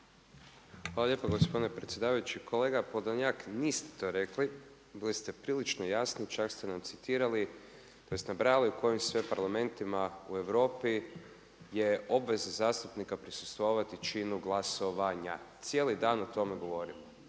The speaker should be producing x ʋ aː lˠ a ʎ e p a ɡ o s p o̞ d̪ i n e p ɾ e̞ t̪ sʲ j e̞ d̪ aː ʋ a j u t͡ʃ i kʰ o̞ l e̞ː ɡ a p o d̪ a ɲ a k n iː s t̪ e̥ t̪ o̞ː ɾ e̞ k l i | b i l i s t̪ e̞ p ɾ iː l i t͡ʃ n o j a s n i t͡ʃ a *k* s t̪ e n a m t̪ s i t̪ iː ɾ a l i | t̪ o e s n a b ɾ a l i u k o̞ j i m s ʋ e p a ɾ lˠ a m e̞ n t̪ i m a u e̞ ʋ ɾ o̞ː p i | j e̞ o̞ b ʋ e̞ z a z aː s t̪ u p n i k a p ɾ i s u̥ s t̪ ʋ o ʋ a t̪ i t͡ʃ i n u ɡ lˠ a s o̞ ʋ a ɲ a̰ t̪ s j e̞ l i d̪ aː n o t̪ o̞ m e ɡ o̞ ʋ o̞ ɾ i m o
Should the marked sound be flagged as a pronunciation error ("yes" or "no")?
no